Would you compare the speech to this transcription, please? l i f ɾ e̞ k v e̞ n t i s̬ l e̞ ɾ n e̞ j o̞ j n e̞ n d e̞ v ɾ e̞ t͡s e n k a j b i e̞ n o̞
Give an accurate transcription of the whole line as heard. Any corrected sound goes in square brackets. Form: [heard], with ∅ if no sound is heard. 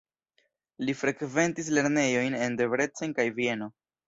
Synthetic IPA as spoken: l i f ɾ e̞ k v e̞ n t i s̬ l e̞ ɾ n e̞ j o̞ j n e̞ n d e̞ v ɾ e̞ t͡s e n k a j [v] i e̞ n o̞